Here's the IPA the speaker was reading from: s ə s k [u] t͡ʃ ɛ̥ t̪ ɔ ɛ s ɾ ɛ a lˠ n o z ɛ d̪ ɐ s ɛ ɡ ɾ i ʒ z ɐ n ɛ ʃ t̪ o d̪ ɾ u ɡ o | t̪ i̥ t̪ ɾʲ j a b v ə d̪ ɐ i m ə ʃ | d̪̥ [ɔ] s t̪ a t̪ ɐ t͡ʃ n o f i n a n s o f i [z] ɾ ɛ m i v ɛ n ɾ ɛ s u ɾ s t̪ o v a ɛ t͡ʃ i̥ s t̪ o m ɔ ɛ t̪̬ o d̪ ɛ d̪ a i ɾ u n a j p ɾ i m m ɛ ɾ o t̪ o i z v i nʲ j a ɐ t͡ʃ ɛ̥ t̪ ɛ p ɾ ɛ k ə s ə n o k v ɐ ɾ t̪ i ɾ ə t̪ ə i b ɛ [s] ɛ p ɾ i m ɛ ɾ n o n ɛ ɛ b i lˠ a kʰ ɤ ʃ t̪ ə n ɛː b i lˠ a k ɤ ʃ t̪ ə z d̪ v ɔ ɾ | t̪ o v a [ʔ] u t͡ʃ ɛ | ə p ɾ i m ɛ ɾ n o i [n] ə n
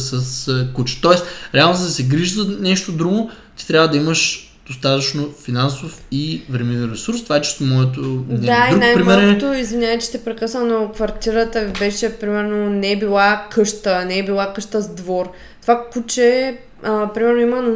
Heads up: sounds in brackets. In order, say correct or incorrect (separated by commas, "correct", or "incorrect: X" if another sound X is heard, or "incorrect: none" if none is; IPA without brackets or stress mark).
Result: correct, incorrect: o, incorrect: v, incorrect: ʃ, incorrect: k, incorrect: m